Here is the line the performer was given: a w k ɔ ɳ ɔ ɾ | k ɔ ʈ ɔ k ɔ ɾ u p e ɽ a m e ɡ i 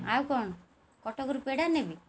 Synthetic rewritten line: a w k ɔ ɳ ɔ | k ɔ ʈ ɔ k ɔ ɾ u p e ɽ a n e b i